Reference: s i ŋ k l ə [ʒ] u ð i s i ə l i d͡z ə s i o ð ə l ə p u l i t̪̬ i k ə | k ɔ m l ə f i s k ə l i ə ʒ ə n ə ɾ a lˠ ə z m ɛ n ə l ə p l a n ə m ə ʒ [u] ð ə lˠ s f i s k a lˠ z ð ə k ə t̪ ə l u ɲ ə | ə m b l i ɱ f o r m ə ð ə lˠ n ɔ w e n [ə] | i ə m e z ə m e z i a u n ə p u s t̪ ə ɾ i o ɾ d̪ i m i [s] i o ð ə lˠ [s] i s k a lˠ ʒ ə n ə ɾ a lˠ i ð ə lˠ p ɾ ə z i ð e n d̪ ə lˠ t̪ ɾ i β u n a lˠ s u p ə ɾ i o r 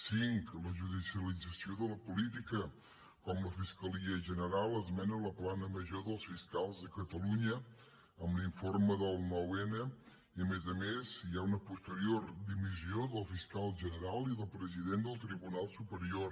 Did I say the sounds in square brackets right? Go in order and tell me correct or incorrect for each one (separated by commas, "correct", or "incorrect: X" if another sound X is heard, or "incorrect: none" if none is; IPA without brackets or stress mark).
correct, incorrect: o, correct, incorrect: z, incorrect: f